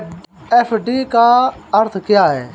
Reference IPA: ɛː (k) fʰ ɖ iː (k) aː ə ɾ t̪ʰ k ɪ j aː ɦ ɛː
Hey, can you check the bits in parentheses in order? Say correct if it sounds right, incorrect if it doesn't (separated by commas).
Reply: incorrect, correct